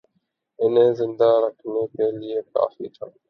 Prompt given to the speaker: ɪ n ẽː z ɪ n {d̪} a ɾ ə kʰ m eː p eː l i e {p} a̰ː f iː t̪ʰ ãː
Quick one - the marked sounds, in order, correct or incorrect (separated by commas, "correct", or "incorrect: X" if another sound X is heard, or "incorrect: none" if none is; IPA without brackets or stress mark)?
correct, incorrect: k